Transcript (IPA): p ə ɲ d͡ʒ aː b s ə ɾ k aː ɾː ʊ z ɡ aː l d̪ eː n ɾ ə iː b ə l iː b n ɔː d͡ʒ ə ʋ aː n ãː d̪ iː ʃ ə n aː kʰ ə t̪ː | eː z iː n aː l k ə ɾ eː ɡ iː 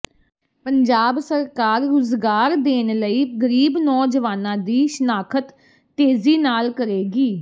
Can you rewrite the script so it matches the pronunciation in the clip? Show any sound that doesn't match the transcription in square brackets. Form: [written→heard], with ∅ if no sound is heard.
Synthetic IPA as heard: p ə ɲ d͡ʒ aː b s ə ɾ k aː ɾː ʊ z ɡ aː [l→ɾ] d̪ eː n [ɾ→l] ə iː [b→ɡ] ə [l→ɾ] iː b n ɔː d͡ʒ ə ʋ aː n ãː d̪ iː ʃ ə n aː kʰ ə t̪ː | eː z iː n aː l k ə ɾ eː ɡ iː